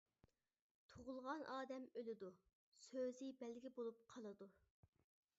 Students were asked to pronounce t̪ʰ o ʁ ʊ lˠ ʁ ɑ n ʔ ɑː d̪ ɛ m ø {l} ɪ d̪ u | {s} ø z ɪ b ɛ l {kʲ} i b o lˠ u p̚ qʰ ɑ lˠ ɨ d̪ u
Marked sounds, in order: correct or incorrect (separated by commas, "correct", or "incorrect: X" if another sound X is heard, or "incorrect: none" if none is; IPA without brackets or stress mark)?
correct, correct, incorrect: ɡʲ